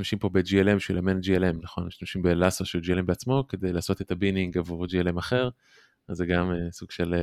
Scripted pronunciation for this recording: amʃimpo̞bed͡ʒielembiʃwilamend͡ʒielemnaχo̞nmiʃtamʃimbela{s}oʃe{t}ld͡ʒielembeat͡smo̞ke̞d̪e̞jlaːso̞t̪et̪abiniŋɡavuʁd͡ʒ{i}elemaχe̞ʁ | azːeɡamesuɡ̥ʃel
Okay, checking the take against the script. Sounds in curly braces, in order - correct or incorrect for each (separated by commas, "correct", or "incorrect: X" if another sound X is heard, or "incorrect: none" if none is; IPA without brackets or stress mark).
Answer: correct, incorrect: none, correct